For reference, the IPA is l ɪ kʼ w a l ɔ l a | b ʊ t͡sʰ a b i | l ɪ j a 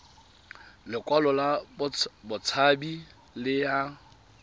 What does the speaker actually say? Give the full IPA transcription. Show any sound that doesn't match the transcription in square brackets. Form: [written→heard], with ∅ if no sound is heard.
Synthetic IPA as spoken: l ɪ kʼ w a l ɔ l a | b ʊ t͡sʰ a b i | l ɪ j a